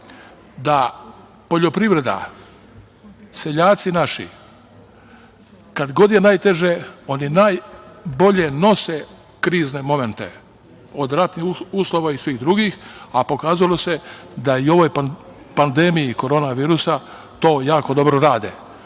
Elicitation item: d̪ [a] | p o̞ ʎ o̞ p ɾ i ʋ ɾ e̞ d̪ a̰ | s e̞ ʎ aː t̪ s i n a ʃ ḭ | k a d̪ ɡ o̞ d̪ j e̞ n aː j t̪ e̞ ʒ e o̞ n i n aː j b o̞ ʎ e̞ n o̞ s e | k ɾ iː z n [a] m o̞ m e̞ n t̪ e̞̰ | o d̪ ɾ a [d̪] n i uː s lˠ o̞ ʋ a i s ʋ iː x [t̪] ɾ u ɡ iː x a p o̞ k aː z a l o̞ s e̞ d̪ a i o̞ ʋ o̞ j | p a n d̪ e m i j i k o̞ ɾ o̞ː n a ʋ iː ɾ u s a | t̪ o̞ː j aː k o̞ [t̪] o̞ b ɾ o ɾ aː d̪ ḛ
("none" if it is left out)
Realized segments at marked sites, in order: a, e, t̪, d̪, d̪

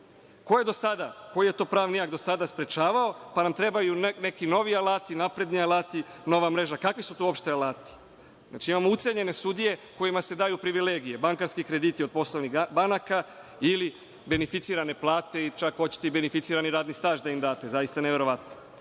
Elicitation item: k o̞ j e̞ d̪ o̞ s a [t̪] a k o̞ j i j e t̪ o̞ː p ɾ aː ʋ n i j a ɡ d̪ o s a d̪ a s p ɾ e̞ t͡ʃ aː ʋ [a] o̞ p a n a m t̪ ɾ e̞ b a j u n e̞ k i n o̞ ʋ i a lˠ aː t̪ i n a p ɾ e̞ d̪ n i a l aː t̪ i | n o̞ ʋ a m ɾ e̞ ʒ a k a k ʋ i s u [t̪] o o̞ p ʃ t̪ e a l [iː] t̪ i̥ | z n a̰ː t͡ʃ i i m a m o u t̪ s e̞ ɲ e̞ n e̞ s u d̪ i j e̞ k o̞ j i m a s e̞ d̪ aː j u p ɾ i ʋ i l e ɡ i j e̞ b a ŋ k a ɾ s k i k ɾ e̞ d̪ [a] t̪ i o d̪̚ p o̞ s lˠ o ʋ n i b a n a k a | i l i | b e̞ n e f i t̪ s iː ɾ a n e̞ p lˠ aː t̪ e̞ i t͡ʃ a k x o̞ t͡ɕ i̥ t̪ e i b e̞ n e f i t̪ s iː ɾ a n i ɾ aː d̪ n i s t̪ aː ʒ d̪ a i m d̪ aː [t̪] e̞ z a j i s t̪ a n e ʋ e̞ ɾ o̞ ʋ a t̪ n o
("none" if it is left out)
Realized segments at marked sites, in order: d̪, a, t̪, aː, i, t̪

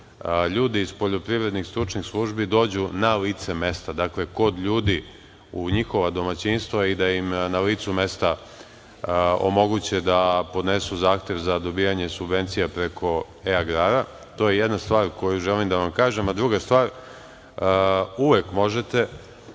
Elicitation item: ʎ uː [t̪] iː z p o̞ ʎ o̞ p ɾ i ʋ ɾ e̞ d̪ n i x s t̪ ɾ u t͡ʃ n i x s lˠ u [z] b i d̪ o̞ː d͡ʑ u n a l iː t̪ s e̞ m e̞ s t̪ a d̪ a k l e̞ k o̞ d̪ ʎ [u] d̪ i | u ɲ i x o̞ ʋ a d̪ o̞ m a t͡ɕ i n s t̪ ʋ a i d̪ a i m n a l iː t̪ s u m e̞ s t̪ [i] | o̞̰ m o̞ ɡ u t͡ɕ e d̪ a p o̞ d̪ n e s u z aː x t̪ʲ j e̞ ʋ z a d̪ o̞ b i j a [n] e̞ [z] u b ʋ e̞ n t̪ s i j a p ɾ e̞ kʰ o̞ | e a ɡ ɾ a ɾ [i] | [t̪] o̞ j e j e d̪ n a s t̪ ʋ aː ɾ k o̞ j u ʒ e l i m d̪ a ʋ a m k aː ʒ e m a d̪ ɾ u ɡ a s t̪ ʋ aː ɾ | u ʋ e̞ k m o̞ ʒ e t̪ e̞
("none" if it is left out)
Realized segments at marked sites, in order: d̪, ʒ, uː, a, ɲ, s, a, t̪

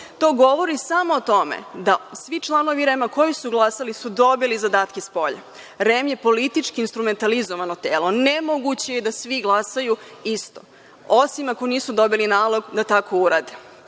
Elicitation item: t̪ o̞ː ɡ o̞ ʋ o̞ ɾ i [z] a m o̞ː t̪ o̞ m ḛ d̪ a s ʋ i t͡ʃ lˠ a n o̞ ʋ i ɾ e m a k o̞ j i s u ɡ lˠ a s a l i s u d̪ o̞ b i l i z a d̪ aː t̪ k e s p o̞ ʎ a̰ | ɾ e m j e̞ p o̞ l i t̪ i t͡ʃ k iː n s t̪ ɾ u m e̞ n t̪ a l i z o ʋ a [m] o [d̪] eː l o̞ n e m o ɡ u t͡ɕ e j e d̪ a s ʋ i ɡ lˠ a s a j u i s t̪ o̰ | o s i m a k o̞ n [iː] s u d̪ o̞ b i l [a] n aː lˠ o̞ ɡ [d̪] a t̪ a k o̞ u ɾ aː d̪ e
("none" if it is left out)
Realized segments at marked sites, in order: s, n, t̪, iː, i, d̪

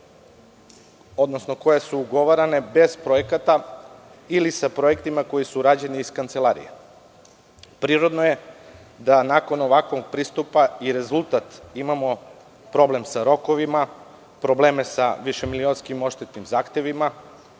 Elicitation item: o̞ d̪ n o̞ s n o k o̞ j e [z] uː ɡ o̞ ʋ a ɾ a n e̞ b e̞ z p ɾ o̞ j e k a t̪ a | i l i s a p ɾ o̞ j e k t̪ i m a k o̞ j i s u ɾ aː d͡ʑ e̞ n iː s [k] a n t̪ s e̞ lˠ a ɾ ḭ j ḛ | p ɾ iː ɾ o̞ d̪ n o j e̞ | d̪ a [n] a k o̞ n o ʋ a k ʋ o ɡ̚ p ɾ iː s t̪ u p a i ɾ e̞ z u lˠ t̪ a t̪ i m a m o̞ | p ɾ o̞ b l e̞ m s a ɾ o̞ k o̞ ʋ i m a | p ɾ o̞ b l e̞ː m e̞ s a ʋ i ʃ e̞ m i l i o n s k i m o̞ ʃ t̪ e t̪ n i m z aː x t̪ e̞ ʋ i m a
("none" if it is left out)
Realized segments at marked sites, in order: s, k, n

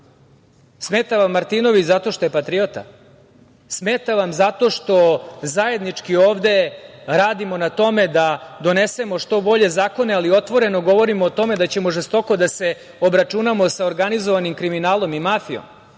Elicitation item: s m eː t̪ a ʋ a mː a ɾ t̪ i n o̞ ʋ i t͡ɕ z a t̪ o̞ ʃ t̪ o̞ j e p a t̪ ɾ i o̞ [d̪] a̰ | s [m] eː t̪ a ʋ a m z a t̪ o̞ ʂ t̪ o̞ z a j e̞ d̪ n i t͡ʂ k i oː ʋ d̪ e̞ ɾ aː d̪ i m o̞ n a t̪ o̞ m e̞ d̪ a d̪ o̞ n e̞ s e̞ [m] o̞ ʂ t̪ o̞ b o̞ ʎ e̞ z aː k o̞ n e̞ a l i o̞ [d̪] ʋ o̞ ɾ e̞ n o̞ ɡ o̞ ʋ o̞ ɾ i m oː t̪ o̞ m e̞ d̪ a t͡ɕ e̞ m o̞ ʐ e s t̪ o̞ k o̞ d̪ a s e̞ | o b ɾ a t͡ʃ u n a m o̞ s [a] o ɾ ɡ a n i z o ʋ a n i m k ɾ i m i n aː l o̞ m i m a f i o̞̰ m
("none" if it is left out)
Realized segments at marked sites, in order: t̪, m, m, t̪, a

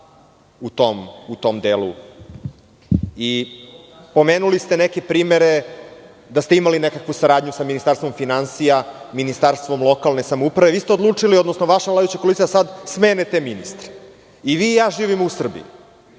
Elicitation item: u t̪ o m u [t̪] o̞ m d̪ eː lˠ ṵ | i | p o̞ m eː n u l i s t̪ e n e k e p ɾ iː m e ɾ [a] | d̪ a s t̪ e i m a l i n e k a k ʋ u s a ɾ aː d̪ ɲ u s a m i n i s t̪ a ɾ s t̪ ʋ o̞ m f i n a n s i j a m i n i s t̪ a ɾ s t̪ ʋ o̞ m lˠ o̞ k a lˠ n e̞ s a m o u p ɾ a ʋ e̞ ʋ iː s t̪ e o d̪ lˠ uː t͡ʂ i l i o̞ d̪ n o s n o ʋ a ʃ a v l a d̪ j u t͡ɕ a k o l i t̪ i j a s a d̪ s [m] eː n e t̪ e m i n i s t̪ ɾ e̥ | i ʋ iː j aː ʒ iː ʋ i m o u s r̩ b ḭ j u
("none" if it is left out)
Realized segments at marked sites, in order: t̪, e, m

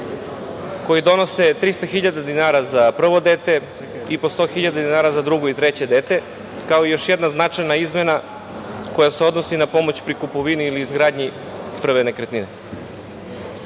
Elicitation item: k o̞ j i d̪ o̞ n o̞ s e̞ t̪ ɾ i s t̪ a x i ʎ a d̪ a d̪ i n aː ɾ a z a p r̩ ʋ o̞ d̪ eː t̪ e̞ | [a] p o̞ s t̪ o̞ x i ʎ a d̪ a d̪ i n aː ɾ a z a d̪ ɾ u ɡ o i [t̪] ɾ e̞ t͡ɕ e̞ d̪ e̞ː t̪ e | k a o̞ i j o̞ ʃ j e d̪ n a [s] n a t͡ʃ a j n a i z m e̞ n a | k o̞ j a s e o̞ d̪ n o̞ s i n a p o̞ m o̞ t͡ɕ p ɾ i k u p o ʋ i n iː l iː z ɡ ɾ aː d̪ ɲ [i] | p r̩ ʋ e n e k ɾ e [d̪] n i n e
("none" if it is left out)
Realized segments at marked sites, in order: i, t̪, z, i, t̪

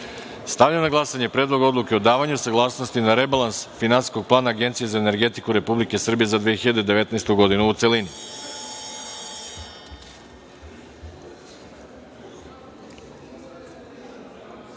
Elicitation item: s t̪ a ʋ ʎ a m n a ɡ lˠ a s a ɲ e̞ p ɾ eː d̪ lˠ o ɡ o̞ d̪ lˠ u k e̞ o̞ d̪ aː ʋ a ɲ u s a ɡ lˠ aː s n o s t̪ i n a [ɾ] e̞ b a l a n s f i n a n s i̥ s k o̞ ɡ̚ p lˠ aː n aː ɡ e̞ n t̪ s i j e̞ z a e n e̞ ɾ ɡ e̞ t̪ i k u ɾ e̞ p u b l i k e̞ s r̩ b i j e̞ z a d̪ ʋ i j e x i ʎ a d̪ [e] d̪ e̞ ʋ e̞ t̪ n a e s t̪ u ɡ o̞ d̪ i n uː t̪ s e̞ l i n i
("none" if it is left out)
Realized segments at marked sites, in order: ɾ, e

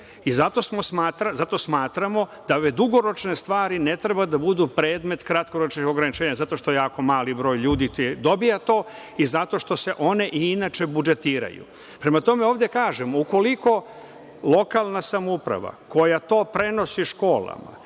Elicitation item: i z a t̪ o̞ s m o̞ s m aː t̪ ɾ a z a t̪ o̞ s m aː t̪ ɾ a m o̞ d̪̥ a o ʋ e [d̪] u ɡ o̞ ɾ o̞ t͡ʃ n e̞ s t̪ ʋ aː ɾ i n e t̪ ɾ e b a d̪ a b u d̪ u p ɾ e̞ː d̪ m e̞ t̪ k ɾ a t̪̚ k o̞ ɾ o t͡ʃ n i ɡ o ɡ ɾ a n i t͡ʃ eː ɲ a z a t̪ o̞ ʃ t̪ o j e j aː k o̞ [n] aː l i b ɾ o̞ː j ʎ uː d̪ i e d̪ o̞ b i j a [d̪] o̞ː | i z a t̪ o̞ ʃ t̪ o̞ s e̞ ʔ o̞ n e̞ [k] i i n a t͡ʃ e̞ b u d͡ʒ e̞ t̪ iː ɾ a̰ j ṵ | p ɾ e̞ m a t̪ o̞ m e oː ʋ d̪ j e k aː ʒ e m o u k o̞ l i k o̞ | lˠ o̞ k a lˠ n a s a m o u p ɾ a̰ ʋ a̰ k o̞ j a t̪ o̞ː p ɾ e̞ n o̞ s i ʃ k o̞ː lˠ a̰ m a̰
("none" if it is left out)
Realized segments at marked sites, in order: d̪, m, t̪, ʔ

